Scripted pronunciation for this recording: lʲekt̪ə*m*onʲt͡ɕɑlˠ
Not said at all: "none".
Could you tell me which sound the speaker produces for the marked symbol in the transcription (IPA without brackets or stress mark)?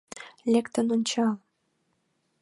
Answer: n